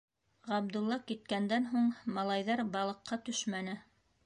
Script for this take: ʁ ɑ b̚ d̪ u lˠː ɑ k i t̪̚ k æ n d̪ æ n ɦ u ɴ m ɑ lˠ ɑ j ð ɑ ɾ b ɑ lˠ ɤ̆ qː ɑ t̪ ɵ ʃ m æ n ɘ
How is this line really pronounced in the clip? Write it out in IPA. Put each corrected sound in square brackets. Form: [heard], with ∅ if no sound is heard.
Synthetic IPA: ʁ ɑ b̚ d̪ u lˠː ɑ k i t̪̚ k æ n d̪ æ n ɦ u ɴ m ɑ lˠ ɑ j ð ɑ ɾ b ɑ lˠ ɤ̆ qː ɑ t̪ ɵ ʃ m æ n ɘ